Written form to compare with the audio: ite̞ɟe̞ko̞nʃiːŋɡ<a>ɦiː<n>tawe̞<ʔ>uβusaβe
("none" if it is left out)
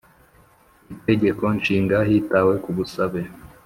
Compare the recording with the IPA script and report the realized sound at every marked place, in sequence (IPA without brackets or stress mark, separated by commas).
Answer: a, none, k